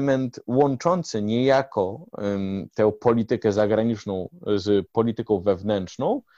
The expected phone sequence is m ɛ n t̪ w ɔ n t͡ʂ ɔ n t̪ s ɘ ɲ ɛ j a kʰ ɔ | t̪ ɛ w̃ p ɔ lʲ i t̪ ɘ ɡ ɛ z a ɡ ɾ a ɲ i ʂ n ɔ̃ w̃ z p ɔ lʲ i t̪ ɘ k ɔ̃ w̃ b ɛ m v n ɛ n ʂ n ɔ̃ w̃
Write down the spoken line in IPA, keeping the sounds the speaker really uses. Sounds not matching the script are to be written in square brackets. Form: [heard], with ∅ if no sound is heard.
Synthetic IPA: m ɛ n t̪ w ɔ n t͡ʂ ɔ n t̪ s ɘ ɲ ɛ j a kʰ ɔ | t̪ ɛ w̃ p ɔ lʲ i t̪ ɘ [k] ɛ z a ɡ ɾ a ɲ i [t͡ʂ] n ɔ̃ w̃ z p ɔ lʲ i t̪ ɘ k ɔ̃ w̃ [v] ɛ [∅] v n ɛ n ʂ n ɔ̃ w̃